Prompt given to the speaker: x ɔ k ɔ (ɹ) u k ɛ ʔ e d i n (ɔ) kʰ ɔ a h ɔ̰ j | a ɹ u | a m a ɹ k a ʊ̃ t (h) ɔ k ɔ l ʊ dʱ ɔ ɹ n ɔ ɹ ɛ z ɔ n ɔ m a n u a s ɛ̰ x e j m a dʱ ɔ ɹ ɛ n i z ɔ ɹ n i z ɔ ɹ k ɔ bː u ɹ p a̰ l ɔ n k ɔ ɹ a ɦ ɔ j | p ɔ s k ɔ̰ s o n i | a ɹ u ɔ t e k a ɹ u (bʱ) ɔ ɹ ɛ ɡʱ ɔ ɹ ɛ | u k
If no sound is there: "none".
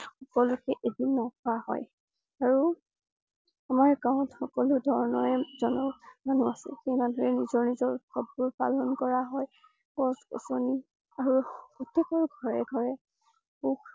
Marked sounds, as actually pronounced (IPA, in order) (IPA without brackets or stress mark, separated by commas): l, ɔ, x, ɡʱ